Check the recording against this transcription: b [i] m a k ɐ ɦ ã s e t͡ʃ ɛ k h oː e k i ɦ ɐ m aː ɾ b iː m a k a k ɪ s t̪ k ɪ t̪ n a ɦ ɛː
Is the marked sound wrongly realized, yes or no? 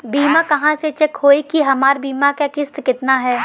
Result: yes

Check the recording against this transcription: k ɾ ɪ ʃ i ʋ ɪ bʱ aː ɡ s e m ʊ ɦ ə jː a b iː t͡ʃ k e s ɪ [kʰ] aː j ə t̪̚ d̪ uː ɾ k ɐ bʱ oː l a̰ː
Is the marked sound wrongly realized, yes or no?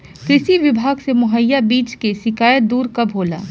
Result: yes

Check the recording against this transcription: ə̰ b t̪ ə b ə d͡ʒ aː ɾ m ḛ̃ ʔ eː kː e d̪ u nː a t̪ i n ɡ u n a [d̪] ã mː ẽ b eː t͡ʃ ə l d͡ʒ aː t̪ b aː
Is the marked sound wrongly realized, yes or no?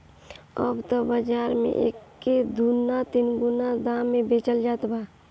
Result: no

